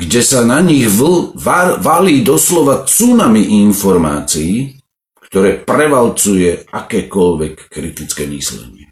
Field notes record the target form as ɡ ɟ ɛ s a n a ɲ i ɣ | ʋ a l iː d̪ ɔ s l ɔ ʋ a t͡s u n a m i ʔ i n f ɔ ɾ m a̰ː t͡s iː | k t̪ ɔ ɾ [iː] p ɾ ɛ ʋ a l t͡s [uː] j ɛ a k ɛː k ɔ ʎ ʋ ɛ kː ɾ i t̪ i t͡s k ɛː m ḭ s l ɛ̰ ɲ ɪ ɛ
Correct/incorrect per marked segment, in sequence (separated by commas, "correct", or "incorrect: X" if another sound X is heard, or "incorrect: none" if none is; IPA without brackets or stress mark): incorrect: ɛː, incorrect: u